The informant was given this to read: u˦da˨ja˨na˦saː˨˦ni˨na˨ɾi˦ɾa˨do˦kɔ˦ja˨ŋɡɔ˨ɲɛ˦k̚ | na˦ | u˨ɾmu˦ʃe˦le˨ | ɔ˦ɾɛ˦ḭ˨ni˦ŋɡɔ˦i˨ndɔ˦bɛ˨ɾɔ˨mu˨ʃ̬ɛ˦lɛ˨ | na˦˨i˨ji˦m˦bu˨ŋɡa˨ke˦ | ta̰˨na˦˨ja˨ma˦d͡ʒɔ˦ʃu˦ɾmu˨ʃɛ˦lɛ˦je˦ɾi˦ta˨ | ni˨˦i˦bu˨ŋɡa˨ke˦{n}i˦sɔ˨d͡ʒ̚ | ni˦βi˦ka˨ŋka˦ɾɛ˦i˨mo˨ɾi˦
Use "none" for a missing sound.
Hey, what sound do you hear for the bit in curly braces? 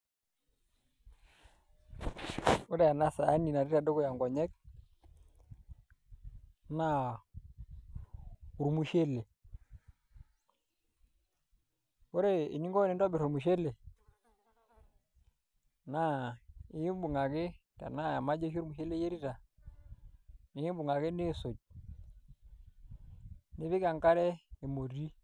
n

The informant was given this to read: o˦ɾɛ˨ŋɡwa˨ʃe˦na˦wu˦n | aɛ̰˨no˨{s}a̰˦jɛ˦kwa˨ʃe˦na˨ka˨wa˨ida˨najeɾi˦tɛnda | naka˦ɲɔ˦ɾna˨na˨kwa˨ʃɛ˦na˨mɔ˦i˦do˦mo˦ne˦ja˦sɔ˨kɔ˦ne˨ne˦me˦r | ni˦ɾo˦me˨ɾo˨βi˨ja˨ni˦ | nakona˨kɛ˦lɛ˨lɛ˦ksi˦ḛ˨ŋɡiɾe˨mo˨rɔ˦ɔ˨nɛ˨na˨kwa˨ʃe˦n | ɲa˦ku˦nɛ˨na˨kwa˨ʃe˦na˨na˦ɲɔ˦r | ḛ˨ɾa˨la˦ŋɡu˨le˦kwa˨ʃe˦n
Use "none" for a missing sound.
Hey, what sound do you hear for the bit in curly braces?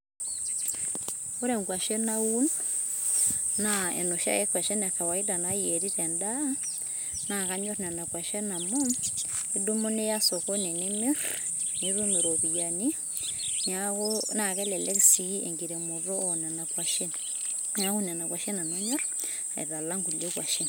ʃ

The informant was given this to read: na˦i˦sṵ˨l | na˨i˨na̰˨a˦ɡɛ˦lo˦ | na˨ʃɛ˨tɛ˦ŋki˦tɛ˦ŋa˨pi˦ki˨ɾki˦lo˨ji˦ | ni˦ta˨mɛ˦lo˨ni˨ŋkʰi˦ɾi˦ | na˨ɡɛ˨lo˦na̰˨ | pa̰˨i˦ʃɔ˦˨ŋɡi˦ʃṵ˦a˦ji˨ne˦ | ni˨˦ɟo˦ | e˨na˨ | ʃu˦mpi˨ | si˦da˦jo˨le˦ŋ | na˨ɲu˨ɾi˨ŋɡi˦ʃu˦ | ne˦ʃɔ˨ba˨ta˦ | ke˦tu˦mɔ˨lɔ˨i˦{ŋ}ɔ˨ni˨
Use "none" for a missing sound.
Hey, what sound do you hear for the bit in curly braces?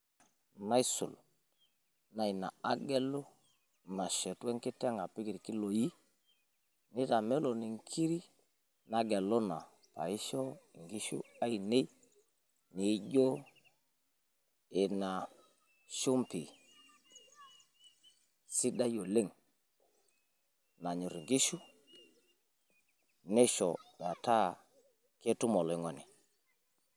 ŋ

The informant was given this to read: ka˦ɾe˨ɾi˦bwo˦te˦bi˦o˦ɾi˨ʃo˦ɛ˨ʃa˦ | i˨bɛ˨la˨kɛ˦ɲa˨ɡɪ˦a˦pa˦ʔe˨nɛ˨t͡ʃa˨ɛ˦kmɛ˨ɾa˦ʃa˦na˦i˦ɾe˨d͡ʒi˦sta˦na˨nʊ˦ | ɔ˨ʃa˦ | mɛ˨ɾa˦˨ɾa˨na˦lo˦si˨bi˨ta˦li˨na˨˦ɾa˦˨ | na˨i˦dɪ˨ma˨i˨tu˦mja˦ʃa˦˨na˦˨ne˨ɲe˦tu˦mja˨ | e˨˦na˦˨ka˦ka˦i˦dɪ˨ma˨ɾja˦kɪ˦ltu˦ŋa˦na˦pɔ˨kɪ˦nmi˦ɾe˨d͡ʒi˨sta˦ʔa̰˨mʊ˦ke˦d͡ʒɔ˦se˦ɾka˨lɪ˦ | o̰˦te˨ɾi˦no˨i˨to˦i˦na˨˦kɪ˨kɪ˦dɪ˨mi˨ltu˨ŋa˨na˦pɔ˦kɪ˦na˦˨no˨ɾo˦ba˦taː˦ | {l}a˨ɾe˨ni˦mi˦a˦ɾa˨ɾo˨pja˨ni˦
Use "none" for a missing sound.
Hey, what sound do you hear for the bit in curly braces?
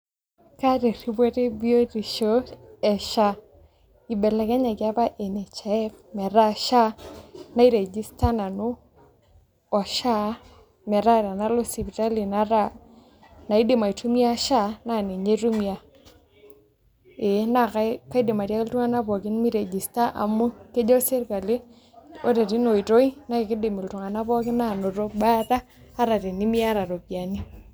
ɾ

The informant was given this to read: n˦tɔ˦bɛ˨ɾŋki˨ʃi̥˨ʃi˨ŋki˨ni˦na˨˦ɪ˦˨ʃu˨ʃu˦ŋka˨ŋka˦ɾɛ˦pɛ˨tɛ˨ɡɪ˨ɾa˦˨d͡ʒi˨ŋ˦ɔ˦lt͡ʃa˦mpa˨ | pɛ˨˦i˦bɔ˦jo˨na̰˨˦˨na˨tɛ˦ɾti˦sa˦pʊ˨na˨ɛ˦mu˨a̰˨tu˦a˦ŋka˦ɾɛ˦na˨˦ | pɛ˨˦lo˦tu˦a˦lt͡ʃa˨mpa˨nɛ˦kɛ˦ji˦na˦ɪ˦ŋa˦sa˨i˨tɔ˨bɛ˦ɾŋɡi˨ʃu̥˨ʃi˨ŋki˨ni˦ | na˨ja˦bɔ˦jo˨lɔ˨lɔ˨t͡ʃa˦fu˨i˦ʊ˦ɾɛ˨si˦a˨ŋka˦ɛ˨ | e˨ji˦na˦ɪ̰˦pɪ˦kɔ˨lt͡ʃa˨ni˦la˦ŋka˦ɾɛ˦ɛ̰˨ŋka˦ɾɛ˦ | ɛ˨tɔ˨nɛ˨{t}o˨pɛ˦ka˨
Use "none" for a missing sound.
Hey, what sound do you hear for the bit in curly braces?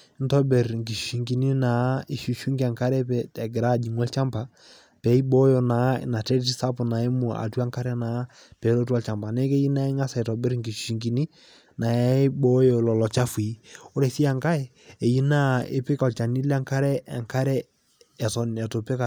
t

